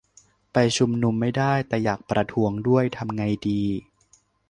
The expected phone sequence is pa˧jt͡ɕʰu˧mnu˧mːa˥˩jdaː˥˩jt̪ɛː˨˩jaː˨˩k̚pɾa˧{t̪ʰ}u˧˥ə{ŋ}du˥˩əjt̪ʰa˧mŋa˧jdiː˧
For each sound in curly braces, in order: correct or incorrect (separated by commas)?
correct, correct